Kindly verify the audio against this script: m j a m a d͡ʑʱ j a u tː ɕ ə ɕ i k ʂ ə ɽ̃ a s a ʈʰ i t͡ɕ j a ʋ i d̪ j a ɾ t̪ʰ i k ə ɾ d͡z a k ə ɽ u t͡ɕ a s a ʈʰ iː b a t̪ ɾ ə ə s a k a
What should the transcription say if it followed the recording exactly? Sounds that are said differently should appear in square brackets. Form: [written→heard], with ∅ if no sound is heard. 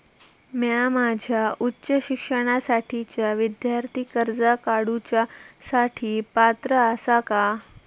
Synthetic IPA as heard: m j a m a d͡ʑʱ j a u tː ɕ ə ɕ i k ʂ ə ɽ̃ a s a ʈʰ i t͡ɕ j a ʋ i d̪ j a ɾ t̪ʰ i k ə ɾ d͡z a k [ə→a] ɽ u t͡ɕ a s a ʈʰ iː [b→p] a t̪ ɾ ə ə s a k a

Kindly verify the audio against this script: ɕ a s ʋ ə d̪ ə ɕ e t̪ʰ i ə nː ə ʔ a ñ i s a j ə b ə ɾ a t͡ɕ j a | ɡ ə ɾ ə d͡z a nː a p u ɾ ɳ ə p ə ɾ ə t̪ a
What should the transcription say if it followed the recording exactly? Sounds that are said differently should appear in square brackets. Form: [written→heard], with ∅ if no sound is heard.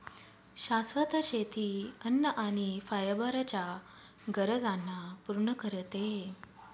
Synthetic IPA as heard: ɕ a s ʋ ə [d̪→t̪] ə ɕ e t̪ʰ i ə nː ə ʔ a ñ i [s→f] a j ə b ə ɾ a t͡ɕ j a | ɡ ə ɾ ə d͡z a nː a p u ɾ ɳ ə [p→k] ə ɾ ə t̪ [a→e]

